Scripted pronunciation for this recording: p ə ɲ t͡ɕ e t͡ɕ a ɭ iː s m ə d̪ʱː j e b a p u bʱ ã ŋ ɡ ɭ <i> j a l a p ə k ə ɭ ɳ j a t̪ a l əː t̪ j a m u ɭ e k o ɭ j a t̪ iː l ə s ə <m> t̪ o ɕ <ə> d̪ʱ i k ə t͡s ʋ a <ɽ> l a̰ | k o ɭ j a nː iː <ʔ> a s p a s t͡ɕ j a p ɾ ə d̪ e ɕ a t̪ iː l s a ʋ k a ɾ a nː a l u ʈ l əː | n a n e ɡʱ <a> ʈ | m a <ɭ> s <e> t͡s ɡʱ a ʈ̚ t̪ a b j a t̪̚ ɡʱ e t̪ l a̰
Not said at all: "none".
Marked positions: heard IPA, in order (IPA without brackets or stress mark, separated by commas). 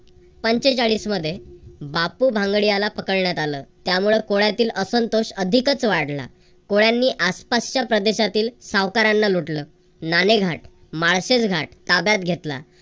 i, n, ə, ɽ, ʔ, a, ɭ, e